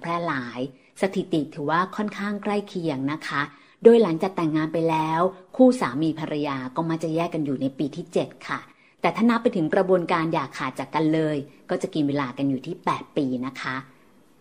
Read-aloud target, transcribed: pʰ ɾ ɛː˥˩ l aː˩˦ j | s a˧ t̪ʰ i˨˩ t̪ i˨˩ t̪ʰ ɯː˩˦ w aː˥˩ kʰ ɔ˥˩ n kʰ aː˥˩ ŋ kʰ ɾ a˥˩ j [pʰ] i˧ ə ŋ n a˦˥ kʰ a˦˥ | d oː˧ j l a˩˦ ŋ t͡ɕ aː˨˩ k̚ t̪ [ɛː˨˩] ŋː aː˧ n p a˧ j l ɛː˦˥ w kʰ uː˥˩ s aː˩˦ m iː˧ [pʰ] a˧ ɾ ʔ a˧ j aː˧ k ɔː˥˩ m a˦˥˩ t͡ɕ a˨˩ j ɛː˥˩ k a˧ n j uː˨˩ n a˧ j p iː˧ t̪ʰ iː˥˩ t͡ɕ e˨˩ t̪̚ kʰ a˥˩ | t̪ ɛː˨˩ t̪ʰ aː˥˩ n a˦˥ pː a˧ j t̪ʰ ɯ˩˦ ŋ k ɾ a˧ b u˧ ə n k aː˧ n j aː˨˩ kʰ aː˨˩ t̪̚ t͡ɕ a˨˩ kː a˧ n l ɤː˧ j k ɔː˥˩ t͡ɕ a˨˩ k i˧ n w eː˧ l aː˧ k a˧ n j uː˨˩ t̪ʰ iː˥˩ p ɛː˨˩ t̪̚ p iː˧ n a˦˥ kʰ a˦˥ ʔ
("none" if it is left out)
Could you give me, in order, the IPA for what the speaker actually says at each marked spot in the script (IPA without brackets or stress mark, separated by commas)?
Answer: kʰ, ɛ˨˩, pʰ